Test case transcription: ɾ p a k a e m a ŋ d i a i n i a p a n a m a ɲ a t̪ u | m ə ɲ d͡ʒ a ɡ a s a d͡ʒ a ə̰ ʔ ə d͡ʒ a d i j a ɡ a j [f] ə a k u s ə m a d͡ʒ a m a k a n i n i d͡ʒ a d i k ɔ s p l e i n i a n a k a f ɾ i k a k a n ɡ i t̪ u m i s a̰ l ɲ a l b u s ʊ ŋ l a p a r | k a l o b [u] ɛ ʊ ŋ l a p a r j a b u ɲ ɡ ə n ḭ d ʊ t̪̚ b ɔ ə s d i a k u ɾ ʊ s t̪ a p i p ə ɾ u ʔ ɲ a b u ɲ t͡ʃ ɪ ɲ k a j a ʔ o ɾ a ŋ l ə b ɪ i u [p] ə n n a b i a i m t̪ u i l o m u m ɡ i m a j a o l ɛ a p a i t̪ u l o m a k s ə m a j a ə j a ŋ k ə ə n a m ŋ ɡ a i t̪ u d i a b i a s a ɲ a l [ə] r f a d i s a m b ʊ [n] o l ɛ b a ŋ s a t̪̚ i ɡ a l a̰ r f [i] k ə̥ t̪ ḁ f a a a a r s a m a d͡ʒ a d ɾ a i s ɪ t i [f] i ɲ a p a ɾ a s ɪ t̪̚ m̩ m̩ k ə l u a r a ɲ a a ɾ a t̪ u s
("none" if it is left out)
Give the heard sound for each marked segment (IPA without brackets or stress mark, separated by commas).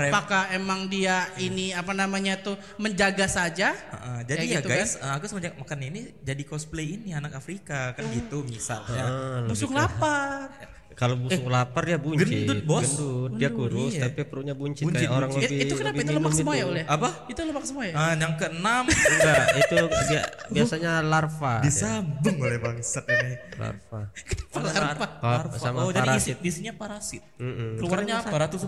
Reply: s, u, k, a, ŋ, a, s